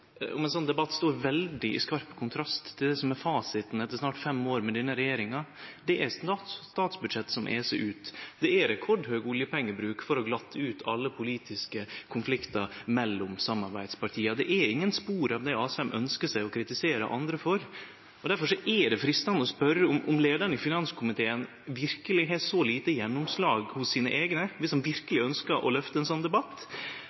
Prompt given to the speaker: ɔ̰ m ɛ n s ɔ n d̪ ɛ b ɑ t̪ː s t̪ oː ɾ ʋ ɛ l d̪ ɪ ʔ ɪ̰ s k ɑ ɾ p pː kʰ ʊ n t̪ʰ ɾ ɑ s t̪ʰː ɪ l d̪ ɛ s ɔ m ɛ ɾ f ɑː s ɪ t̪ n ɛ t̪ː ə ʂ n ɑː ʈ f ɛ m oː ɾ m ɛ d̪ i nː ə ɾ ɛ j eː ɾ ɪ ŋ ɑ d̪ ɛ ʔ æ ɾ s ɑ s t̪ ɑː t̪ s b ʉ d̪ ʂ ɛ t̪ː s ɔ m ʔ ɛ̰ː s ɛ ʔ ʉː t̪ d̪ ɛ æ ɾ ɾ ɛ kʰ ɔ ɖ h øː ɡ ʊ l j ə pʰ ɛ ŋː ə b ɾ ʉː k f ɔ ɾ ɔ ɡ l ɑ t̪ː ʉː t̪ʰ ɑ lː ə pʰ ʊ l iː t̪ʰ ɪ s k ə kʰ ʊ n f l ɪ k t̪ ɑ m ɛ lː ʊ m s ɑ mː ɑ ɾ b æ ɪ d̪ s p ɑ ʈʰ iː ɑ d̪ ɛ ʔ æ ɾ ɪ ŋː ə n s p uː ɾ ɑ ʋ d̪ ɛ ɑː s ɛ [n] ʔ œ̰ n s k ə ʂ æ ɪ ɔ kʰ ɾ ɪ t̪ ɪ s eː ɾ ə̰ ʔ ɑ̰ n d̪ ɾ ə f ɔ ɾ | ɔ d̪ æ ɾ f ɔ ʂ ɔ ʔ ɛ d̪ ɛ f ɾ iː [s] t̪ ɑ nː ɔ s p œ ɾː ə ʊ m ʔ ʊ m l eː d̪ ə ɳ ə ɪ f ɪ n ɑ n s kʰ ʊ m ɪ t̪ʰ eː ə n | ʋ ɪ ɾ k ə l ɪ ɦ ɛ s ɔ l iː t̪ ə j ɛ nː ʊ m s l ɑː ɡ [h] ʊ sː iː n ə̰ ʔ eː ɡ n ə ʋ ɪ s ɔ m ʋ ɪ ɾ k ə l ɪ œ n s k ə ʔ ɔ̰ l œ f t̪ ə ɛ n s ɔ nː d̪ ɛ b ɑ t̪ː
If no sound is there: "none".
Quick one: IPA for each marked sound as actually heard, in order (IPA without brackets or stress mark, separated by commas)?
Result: m, s, h